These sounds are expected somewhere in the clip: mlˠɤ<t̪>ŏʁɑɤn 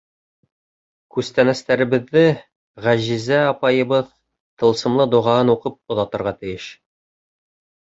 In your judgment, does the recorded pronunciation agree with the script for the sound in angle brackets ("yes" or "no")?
no